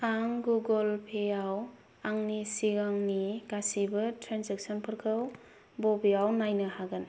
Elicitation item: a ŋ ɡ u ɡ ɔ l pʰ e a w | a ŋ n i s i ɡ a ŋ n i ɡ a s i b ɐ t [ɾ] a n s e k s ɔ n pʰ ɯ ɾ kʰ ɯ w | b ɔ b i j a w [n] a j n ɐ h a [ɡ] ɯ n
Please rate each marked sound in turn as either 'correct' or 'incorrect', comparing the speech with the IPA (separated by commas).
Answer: correct, correct, correct